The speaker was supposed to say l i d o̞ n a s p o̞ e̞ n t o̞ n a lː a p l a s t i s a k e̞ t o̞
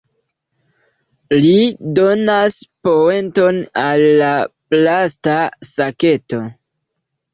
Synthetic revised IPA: l i d o̞ n a s p o̞ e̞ n t o̞ n a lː a p l a s t a s a k e̞ t o̞